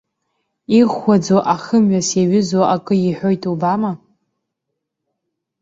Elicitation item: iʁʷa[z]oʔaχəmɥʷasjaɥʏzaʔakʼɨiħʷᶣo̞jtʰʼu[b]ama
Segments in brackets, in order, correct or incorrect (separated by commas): incorrect, correct